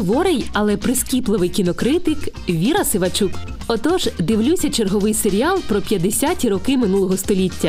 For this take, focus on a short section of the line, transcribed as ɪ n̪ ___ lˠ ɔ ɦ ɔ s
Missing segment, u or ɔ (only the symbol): u